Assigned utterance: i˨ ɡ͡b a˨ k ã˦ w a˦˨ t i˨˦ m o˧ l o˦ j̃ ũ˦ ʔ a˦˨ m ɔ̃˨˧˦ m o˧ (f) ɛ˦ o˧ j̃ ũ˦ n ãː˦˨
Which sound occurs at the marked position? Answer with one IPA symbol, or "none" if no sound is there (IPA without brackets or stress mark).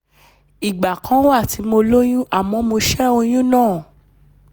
ʃ